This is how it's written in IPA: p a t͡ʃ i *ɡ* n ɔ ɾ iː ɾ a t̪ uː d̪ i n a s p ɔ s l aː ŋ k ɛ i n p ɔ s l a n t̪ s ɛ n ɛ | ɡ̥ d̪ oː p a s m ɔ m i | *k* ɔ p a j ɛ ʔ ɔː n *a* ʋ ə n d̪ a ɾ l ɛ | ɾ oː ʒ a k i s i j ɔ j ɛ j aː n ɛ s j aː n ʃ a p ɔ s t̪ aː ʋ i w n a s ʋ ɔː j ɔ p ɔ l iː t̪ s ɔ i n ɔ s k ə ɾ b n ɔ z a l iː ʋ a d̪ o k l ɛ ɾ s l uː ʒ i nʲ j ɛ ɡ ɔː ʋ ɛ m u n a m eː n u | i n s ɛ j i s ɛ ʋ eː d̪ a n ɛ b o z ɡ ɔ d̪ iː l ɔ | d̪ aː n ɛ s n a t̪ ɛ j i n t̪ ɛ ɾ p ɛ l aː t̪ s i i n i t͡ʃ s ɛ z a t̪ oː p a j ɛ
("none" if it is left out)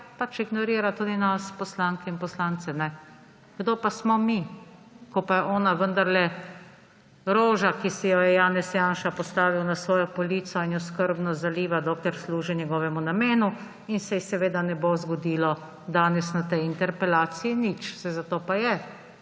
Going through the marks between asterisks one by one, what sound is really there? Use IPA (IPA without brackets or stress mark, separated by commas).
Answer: ɡ, k, a